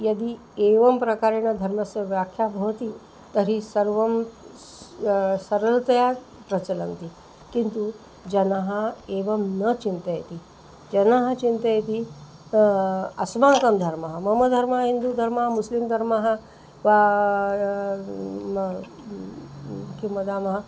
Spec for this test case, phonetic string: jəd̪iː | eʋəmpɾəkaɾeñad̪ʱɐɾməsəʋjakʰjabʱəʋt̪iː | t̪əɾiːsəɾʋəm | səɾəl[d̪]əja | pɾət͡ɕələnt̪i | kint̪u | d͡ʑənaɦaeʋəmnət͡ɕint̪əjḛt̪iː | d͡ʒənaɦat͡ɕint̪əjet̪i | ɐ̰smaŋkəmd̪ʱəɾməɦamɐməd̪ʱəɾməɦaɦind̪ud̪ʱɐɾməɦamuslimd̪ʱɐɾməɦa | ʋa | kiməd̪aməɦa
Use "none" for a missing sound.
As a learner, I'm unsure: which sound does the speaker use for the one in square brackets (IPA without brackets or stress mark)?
t̪